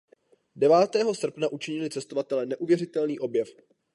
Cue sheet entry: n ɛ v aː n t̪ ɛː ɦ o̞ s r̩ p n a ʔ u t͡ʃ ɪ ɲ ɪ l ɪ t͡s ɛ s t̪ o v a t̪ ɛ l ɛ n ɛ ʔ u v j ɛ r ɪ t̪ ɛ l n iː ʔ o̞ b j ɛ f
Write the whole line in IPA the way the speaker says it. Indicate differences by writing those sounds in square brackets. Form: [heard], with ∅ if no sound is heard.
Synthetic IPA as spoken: [d] ɛ v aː [∅] t̪ ɛː ɦ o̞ s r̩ p n a ʔ u t͡ʃ ɪ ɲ ɪ l ɪ t͡s ɛ s t̪ o v a t̪ ɛ l ɛ n ɛ ʔ u v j ɛ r ɪ t̪ ɛ l n iː ʔ o̞ b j ɛ f